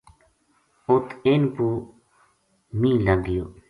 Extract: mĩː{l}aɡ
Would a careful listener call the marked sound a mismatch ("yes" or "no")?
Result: no